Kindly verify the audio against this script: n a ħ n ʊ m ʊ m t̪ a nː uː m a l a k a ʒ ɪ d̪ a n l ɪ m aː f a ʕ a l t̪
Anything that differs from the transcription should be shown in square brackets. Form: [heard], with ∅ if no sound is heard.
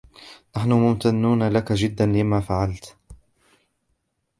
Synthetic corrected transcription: n a ħ n ʊ m ʊ m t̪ a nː uː [n] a l a k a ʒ ɪ [d̪ː] a n l ɪ m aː f a ʕ a l t̪